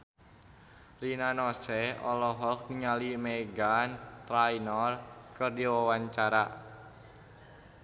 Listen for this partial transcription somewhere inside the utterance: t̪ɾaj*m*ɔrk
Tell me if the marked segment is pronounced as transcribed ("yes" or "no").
no